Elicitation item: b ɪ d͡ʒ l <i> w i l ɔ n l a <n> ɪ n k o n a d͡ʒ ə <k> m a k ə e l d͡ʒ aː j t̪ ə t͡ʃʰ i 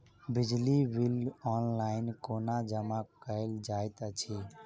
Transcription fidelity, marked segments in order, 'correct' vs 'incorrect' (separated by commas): correct, incorrect, incorrect